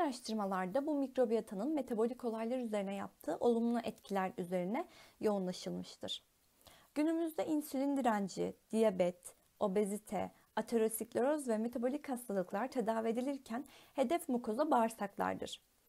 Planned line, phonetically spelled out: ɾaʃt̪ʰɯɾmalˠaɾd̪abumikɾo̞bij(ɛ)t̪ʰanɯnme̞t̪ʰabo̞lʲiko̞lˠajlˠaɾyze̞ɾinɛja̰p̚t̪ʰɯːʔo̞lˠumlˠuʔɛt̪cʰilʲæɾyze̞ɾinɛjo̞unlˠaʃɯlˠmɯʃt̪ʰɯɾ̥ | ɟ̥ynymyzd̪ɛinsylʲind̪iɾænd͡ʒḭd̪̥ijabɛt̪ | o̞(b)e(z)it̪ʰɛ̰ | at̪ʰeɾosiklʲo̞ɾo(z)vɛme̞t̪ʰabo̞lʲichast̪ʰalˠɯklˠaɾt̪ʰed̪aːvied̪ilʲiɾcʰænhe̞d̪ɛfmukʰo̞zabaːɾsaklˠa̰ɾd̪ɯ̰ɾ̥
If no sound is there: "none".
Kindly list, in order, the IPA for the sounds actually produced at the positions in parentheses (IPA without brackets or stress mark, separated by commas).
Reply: a, b, z, z